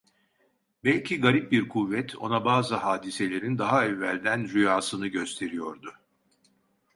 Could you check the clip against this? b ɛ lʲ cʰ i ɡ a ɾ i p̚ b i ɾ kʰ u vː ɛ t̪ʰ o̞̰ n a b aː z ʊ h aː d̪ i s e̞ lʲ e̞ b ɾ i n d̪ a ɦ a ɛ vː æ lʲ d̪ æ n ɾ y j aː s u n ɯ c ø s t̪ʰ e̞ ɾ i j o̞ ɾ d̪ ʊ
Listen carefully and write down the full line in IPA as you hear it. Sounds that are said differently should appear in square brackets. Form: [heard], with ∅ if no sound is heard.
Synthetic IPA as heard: b ɛ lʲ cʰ i ɡ a ɾ i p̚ b i ɾ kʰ u vː ɛ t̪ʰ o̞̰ n a b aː z [ɯ] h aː d̪ i s e̞ lʲ e̞ [∅] ɾ i n d̪ a ɦ a ɛ vː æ lʲ d̪ æ n ɾ y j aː s [ɯ] n ɯ [ɟ] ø s t̪ʰ e̞ ɾ i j o̞ ɾ d̪ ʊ